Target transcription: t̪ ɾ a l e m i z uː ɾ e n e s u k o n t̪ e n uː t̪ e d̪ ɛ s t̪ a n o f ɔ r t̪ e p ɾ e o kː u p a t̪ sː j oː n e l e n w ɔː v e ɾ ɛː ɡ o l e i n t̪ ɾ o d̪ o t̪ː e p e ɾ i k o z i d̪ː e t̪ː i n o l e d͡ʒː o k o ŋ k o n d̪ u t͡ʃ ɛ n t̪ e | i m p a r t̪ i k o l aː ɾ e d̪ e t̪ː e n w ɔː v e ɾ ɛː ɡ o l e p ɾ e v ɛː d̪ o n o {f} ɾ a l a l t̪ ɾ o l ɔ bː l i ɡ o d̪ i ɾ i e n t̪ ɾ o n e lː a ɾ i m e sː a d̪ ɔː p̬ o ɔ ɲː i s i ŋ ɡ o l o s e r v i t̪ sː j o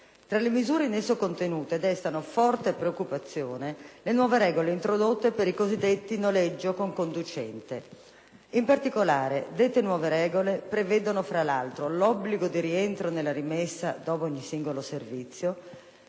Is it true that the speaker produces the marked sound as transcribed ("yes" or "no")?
yes